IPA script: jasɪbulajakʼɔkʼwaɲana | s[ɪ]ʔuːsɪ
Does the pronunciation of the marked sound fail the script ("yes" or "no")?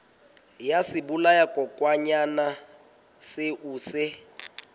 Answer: no